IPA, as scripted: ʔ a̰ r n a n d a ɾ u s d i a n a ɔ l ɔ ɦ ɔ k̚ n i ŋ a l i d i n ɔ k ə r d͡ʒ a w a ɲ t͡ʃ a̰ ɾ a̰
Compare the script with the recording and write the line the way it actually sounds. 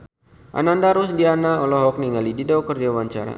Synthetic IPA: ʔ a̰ n a n d a ɾ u s d i a n a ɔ l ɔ ɦ ɔ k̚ n i ŋ a l i d i d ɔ k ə r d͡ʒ a w a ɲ t͡ʃ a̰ ɾ a̰